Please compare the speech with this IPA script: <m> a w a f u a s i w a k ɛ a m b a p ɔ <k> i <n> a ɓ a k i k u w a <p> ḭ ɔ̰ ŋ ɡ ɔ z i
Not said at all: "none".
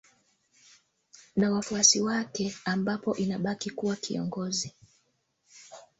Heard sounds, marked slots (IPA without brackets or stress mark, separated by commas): n, ʔ, n, k